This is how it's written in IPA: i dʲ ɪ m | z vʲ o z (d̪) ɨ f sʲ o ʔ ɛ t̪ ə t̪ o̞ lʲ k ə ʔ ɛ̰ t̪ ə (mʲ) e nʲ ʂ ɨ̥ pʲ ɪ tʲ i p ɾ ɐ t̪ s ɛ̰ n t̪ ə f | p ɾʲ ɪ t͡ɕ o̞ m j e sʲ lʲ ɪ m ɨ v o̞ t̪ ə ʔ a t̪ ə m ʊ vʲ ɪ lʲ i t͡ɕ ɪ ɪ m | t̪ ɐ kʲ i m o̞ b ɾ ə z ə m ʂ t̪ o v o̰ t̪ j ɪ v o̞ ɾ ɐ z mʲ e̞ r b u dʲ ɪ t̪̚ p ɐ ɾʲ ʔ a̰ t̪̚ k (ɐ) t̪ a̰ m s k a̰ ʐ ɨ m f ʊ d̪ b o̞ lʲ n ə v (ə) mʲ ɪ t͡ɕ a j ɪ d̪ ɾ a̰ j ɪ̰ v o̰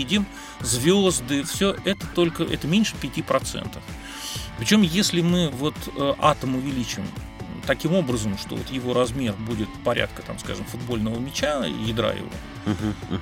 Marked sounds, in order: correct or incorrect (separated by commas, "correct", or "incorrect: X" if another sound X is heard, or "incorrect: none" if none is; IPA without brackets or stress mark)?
correct, correct, incorrect: ə, correct